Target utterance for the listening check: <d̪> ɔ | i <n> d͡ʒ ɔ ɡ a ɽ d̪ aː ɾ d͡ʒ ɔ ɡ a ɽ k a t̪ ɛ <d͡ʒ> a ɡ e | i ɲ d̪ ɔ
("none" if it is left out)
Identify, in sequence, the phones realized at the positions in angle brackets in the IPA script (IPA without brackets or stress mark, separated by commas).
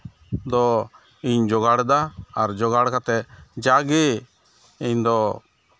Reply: d̪, ɲ, d͡ʒ